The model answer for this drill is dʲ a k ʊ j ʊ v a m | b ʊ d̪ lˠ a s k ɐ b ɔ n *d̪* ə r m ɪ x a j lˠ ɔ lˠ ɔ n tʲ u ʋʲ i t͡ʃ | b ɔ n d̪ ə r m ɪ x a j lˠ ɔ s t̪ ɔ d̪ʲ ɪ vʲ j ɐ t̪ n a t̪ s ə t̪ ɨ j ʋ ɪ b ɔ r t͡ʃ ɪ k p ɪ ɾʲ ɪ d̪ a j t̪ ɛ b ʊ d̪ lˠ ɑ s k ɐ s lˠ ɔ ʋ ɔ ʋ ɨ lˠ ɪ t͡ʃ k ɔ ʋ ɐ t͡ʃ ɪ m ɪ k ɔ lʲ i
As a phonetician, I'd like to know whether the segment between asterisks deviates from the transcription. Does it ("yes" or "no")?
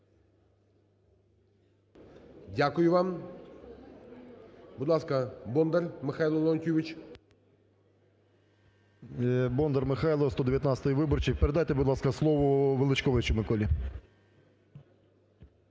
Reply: no